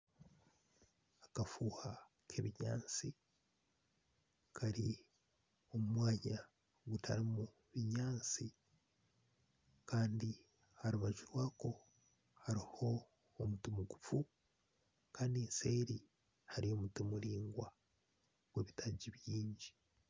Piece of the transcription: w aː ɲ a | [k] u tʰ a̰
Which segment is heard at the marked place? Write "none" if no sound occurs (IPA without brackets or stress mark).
ɡ